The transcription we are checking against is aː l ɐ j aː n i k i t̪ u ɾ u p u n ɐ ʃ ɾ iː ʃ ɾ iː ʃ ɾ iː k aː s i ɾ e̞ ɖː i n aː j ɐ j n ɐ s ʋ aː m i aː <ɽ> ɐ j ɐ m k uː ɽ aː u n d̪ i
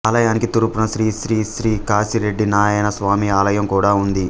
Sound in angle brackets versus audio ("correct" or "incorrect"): incorrect